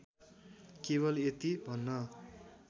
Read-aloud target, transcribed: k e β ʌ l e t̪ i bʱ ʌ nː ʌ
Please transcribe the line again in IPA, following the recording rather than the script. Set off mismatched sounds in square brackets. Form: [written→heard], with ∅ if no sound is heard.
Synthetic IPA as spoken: k e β ʌ l e t̪ i bʱ ʌ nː ʌ